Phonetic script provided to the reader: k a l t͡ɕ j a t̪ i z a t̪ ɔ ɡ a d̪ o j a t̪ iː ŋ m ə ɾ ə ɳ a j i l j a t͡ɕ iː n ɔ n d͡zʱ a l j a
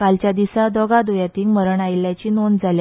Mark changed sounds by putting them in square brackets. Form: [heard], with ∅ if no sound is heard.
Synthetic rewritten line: k a l t͡ɕ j a [d̪] i [s] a [d̪] ɔ ɡ a d̪ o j a t̪ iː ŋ m ə ɾ ə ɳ a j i l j a t͡ɕ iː n [o] n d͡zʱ a l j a